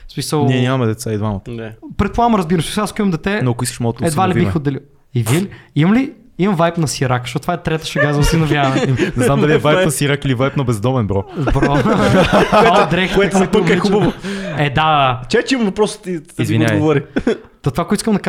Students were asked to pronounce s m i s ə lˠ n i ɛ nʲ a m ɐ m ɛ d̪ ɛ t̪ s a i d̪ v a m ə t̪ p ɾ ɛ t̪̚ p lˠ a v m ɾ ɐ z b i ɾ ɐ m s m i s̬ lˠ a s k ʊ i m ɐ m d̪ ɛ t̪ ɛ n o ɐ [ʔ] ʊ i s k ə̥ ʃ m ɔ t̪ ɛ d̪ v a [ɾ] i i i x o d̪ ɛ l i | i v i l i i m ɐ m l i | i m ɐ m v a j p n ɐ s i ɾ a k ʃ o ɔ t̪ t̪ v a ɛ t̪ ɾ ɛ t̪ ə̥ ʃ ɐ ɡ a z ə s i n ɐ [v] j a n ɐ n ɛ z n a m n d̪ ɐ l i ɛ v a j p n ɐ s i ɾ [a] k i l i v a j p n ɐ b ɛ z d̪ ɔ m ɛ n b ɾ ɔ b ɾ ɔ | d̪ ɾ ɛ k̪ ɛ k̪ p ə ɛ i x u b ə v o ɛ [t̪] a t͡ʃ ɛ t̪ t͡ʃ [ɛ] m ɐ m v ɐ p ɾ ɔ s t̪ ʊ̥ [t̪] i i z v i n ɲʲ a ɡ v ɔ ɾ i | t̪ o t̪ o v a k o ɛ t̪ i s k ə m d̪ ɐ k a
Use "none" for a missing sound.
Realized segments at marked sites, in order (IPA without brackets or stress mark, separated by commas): k, l, v, a, d̪, i, t̪